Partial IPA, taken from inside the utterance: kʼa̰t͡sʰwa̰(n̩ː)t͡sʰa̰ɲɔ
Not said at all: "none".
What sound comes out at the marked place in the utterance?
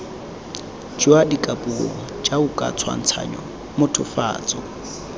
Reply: n̩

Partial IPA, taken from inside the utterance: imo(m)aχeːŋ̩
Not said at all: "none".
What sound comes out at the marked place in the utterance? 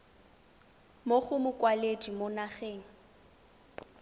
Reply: n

